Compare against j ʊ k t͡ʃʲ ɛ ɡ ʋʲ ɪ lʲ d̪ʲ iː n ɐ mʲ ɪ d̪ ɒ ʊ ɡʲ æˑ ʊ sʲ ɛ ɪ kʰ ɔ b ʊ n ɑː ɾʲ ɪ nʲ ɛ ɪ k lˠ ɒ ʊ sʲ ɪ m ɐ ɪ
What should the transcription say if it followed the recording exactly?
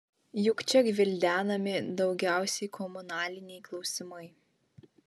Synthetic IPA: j ʊ k t͡ʃʲ ɛ ɡ ʋʲ ɪ lʲ d̪ʲ æː n ɐ mʲ ɪ d̪ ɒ ʊ ɡʲ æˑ ʊ sʲ ɛ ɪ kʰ ɔ m ʊ n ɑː lʲ ɪ nʲ ɛ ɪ k lˠ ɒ ʊ sʲ ɪ m ɐ ɪ